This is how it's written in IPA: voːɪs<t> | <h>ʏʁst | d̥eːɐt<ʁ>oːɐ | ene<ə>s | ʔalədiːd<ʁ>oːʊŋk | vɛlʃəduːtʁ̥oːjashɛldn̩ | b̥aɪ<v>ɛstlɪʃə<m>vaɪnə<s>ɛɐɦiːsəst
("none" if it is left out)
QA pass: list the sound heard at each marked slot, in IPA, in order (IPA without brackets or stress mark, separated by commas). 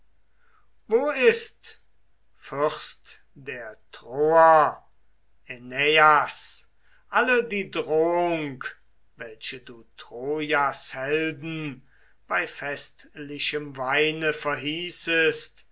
t, f, ʁ, a, ʁ, f, m, f